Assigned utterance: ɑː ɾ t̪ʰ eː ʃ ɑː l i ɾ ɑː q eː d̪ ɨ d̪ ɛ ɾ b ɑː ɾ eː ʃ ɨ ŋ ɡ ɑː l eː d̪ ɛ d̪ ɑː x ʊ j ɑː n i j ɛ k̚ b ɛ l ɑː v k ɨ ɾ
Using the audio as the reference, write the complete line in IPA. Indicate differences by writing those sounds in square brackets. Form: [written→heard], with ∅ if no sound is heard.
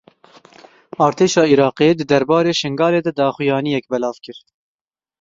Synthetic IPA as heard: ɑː ɾ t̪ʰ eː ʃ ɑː [l→∅] i ɾ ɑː q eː d̪ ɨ d̪ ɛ ɾ b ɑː ɾ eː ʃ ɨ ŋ ɡ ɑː l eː d̪ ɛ d̪ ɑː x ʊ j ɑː n i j ɛ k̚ b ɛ l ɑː v k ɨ ɾ